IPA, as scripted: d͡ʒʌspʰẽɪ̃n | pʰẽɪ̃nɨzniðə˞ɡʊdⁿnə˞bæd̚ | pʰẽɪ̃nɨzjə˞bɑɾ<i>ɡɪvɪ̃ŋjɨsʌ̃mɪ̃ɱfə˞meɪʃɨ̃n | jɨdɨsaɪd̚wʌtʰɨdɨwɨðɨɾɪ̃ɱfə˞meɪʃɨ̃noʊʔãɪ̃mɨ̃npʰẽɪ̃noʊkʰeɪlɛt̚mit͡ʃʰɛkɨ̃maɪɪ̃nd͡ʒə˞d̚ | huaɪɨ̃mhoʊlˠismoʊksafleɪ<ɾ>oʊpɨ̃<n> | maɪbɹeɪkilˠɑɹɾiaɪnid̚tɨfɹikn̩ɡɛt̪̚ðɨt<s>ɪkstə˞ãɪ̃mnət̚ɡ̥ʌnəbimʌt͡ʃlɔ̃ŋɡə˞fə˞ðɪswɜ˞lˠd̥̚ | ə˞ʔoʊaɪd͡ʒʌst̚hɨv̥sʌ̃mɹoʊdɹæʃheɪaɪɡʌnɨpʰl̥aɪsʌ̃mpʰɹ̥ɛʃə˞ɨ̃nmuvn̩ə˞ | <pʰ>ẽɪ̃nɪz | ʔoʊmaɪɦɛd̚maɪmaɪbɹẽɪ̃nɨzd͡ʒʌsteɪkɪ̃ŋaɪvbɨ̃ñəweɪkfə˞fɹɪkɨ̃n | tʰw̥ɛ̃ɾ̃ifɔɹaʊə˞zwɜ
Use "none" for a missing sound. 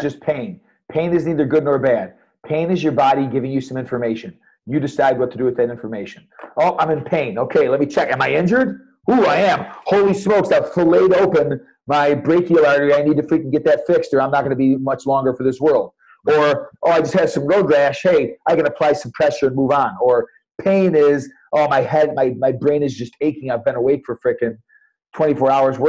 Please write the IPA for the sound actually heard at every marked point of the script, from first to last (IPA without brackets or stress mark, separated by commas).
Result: i, ɾ, n, f, pʰ